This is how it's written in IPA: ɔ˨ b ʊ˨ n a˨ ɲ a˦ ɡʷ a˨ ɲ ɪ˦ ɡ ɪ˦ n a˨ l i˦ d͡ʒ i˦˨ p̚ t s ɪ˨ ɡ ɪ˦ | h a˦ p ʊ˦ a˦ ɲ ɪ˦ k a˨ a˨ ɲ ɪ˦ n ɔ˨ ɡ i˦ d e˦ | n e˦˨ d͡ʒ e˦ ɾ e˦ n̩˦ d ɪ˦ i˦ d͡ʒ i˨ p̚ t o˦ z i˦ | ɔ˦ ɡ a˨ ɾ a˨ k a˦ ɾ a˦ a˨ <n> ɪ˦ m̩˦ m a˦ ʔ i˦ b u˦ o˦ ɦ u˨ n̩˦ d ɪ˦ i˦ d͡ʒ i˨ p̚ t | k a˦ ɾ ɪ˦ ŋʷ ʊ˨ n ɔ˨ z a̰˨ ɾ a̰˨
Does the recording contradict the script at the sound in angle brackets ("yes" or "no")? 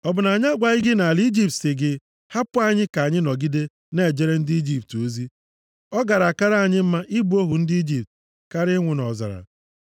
yes